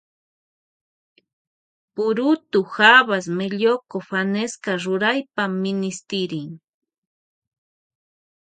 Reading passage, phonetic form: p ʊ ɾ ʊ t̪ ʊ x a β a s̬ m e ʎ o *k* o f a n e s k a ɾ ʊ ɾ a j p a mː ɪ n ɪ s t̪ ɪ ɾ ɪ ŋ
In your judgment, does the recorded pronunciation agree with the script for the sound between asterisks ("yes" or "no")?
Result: yes